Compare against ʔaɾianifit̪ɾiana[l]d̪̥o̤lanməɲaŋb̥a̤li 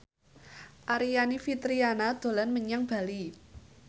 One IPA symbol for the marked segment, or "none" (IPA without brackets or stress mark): none